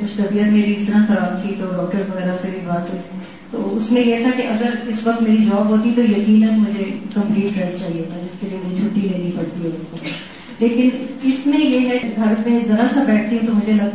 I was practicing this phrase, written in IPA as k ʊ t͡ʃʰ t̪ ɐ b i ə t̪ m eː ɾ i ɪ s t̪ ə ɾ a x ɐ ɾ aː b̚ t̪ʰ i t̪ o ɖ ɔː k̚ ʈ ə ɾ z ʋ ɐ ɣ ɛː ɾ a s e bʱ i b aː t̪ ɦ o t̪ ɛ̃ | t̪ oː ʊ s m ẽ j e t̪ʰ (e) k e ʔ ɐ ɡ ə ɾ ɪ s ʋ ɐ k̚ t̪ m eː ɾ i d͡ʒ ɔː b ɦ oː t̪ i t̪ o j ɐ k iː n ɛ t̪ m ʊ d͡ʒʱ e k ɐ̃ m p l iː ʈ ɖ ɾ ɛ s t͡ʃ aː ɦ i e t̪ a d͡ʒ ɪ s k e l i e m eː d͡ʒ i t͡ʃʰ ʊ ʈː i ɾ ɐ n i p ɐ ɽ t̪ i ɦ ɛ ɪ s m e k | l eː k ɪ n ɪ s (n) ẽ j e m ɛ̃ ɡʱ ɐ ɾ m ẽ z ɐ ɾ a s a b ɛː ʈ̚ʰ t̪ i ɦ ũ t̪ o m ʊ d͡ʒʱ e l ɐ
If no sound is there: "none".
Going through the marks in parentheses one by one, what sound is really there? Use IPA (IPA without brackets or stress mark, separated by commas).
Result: a, m